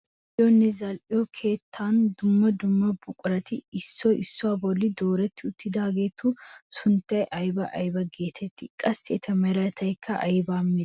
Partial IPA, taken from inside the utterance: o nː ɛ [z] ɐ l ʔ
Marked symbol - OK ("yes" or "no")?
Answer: yes